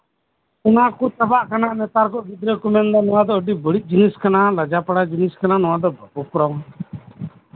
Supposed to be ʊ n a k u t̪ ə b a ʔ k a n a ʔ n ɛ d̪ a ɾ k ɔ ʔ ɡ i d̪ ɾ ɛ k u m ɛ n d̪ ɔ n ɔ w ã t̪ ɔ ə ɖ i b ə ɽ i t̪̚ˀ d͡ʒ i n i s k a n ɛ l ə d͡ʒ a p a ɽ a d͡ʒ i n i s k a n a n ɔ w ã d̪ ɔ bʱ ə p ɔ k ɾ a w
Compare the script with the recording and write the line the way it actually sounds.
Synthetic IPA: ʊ n a k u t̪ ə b a ʔ k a n a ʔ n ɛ t̪ a ɾ k ɔ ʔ ɡ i d̪ ɾ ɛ k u m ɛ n d̪ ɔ n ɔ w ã d̪ ɔ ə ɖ i b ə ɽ i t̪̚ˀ d͡ʒ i n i s k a n a l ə d͡ʒ a p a ɽ a d͡ʒ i n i s k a n a n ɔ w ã d̪ ɔ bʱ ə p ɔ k ɾ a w